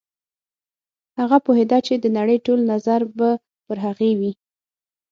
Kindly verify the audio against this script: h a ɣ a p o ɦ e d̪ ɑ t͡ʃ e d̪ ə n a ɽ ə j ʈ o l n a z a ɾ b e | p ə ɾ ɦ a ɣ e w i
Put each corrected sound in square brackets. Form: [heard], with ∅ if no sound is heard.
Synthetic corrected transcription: h a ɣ a p o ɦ e d̪ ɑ t͡ʃ e d̪ ə n a ɽ ə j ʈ o l n a z a ɾ b [a] | p ə ɾ ɦ a ɣ e w i